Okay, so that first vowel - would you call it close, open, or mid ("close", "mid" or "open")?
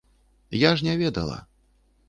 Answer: open